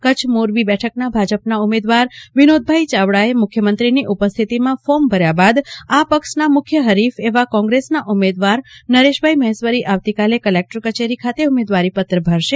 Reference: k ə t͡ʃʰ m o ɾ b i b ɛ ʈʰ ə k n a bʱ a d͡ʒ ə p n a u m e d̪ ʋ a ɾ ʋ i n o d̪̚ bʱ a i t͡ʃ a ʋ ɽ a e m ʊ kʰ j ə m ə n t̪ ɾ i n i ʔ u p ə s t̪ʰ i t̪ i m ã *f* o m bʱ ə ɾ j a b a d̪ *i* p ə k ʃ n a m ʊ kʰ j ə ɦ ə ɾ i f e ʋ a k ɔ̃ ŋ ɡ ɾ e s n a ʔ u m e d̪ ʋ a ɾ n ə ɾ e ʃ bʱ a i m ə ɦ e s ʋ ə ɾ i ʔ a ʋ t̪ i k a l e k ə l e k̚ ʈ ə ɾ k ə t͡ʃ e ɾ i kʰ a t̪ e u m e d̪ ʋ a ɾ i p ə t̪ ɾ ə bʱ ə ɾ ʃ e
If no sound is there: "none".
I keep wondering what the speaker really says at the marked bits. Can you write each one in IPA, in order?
f, a

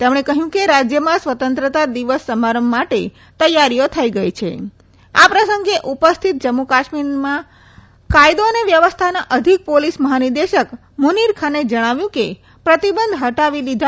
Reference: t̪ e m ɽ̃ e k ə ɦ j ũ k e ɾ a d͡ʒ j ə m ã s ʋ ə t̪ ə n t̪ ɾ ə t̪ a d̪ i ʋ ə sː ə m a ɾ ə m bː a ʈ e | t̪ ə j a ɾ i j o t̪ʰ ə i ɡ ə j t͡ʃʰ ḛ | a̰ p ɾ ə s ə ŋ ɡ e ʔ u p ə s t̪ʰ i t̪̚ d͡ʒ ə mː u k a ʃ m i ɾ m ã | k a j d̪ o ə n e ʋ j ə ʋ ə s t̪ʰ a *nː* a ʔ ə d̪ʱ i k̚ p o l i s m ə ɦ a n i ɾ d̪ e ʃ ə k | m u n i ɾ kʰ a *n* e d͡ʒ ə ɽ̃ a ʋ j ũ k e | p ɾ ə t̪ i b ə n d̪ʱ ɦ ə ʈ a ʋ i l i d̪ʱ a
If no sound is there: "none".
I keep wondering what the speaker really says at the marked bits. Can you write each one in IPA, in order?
n, n

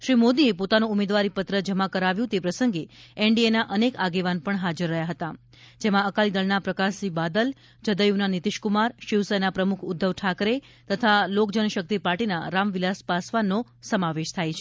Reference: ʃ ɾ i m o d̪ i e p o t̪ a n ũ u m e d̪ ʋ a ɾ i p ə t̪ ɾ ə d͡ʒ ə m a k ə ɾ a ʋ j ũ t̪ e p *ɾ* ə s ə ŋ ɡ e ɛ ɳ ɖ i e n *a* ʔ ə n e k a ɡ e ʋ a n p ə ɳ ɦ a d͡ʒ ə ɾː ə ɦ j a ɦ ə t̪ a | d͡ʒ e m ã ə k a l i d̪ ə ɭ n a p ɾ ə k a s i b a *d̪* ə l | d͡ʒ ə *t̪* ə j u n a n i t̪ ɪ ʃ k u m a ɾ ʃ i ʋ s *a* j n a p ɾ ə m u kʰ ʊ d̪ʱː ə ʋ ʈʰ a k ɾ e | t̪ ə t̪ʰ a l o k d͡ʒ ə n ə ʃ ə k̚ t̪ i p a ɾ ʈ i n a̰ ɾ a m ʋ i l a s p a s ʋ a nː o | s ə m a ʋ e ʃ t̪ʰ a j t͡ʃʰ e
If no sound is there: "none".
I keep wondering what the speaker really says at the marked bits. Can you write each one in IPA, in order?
ɾ, a, d̪, d̪, ə

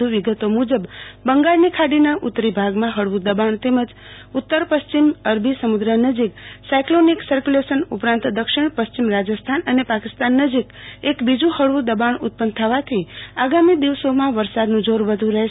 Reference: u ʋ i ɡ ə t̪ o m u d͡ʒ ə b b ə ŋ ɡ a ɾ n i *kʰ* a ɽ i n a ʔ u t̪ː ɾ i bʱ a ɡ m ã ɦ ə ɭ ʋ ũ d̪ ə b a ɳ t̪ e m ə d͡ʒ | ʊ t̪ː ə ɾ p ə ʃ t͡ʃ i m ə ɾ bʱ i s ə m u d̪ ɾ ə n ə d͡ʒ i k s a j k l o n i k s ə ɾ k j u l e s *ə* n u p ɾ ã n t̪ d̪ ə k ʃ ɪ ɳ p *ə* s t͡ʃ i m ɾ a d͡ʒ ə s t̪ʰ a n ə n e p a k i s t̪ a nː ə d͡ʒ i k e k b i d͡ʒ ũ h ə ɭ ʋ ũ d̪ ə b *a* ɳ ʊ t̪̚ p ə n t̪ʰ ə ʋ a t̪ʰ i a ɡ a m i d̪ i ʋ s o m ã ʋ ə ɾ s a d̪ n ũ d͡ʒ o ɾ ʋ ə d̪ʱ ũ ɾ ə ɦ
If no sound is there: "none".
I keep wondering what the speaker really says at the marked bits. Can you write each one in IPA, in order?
kʰ, ə, ə, a

